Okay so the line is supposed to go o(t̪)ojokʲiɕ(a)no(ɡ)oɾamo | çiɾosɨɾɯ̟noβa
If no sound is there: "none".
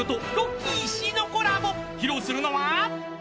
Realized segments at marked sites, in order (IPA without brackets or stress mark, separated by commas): t̪, i, k